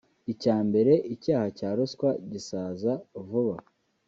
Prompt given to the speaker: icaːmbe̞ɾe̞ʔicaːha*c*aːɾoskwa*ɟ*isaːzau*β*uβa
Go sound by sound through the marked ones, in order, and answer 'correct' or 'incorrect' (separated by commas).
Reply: correct, correct, incorrect